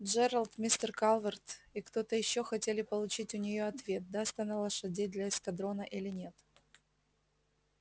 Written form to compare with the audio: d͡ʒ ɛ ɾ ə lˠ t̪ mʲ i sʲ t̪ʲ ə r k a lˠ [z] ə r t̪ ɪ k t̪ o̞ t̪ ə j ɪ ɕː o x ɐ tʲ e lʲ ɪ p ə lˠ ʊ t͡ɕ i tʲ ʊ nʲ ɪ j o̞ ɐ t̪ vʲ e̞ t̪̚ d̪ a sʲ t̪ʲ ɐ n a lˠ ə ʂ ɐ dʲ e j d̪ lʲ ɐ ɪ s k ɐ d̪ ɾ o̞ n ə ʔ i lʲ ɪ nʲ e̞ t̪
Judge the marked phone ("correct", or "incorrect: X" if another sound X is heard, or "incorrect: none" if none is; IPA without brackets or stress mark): incorrect: v